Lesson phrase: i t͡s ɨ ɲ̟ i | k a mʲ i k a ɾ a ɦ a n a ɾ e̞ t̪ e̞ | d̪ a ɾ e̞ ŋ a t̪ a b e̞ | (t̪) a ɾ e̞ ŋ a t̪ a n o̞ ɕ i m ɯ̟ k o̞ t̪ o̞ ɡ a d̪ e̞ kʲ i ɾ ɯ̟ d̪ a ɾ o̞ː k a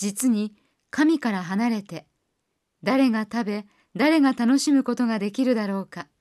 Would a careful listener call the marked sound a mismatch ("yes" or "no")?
yes